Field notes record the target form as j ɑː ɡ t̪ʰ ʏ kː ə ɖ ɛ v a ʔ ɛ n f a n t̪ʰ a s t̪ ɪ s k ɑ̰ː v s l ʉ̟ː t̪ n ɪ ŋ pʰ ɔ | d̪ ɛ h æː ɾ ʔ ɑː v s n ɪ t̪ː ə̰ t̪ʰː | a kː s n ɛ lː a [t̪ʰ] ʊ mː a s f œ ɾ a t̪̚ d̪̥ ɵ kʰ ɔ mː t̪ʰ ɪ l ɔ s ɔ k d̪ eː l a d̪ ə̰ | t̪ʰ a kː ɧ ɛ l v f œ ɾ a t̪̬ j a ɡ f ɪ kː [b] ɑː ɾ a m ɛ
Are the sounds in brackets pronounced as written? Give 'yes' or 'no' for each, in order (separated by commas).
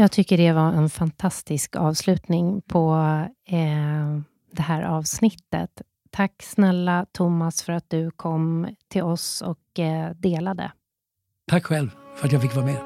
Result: yes, no